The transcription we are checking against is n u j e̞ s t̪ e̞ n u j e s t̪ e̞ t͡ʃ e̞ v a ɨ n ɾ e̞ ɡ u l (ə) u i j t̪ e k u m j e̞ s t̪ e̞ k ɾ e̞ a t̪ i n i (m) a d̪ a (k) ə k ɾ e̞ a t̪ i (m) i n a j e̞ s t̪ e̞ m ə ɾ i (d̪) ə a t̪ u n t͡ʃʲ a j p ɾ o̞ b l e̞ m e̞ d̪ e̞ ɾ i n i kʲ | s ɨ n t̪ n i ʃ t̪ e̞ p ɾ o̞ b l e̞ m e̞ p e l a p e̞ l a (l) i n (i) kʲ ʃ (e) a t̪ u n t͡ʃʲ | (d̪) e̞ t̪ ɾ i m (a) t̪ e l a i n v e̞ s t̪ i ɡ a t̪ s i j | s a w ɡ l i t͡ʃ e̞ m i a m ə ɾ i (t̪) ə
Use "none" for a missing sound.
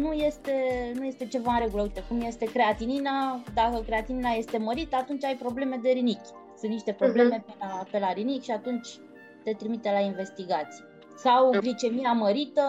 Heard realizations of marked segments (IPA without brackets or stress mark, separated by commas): ə, n, k, n, t̪, ɾ, i, i, t̪, i, t̪